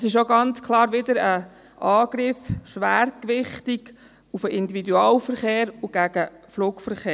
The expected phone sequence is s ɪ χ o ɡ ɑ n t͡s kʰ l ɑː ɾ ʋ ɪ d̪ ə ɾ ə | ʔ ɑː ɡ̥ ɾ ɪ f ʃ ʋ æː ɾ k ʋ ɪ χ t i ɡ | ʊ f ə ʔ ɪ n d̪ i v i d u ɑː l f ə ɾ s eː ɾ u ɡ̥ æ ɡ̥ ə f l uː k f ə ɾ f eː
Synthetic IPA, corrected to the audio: s ɪ ʃ o ɡ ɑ n t͡s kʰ l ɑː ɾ ʋ ɪ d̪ ə ɾ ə | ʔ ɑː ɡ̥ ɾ ɪ f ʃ ʋ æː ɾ k ʋ ɪ χ t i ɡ | u f ə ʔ ɪ n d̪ i v i d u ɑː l f ə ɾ χ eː ɾ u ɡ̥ æ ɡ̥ ə f l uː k f ə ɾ χ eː